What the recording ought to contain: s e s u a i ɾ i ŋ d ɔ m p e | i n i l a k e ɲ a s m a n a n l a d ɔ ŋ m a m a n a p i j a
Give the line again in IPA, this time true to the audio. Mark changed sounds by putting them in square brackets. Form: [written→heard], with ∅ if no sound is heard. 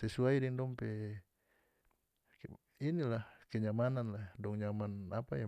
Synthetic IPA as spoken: s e s u a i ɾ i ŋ d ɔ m p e | i n i l a k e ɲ a [s→∅] m a n a n l a d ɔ ŋ [m→ɲ] a m a n a p [i→a] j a

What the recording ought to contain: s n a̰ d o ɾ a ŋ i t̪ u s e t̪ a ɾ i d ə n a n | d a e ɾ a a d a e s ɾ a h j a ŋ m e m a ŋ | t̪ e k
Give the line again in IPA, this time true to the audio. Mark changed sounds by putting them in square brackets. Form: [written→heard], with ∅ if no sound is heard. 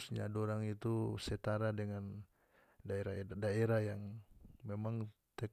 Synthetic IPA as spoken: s [n→ɲ] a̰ d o ɾ a ŋ i t̪ u s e t̪ a ɾ [i→a] d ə [n→ŋ] a n | d a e ɾ a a d a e [s→∅] ɾ a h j a ŋ m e m a ŋ | t̪ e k

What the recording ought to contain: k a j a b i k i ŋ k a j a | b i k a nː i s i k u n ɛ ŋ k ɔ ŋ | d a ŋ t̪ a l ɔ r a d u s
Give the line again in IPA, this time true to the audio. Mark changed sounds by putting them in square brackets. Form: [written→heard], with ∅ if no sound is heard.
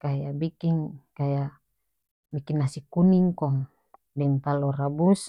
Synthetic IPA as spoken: k a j a b i k i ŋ k a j a | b i k [a→i] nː [i→a] s i k u n [ɛ→i] ŋ k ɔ ŋ | d [a→ɛ] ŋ t̪ a l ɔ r a [d→b] u s

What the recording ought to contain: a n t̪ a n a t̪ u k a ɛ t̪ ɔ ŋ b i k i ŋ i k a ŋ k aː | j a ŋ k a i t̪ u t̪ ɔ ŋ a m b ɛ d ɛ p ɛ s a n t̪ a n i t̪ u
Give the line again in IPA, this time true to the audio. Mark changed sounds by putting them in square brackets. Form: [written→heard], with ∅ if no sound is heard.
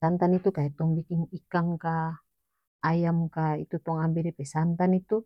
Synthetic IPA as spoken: a n t̪ a n [a→i] t̪ u k a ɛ t̪ ɔ ŋ b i k i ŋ i k a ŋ k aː | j a [ŋ→m] k a i t̪ u t̪ ɔ ŋ a m b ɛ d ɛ p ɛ s a n t̪ a n i t̪ u

